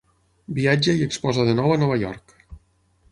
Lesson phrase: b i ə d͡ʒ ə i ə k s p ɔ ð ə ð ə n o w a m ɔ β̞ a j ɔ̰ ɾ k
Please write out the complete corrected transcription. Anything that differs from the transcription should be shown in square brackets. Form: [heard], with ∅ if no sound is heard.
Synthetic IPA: b i [a] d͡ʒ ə i ə k s p ɔ [z] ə ð ə n [ɔ] w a [n] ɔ β̞ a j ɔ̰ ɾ k